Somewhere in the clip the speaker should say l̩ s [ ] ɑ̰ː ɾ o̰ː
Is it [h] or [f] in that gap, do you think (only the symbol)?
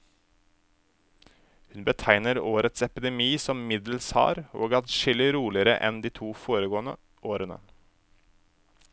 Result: h